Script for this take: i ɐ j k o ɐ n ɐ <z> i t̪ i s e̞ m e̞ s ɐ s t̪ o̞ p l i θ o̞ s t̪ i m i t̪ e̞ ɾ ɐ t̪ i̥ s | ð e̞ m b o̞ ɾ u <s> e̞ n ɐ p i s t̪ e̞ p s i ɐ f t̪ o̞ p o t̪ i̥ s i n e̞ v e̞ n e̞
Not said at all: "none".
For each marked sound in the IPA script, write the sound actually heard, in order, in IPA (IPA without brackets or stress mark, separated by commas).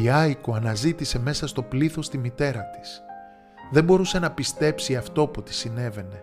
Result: z, s